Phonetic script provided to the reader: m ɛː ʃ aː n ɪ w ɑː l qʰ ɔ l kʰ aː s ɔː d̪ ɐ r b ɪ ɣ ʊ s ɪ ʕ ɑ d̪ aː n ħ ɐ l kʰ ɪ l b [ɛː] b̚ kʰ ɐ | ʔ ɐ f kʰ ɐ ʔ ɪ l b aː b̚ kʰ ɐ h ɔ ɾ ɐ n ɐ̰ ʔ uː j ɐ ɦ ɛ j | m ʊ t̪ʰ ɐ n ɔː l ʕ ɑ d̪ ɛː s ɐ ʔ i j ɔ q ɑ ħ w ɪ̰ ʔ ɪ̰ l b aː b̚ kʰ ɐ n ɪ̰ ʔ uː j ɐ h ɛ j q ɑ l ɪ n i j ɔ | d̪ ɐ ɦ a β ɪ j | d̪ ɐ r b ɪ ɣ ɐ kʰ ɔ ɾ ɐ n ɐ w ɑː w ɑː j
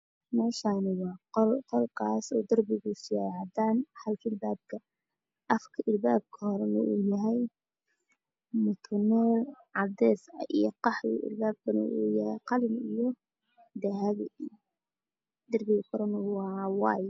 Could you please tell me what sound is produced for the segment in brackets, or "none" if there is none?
aː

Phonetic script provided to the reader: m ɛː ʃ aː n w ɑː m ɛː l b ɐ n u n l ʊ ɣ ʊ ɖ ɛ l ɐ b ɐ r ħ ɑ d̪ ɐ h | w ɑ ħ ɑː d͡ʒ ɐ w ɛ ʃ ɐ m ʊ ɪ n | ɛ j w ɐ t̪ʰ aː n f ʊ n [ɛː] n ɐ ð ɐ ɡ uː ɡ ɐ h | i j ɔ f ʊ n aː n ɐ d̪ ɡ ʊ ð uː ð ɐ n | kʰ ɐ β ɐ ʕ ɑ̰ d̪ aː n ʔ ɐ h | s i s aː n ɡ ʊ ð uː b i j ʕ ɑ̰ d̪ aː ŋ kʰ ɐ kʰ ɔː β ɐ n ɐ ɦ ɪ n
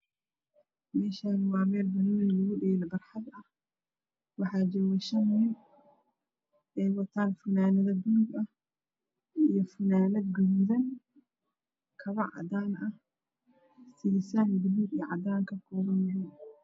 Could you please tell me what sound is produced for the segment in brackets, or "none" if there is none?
aː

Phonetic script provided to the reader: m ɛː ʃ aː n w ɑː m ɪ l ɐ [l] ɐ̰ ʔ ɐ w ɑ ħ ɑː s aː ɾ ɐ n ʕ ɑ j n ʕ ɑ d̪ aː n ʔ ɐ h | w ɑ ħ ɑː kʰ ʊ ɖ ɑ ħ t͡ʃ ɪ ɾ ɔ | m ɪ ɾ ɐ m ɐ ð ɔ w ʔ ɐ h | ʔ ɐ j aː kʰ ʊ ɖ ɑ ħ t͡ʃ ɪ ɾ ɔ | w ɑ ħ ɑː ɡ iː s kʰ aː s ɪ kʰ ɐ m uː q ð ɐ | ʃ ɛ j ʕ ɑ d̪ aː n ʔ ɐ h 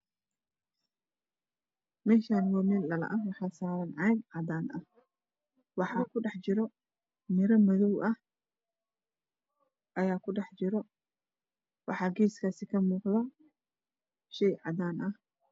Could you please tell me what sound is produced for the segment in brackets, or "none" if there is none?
l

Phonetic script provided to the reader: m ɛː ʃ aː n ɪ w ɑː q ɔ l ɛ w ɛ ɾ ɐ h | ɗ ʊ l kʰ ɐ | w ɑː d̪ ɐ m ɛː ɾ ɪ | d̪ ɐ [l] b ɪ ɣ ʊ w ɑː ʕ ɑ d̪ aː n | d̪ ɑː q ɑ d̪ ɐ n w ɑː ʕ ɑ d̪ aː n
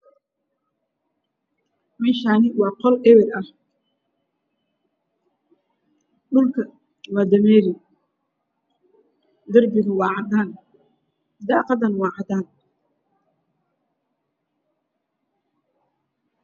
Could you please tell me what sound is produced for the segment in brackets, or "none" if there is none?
r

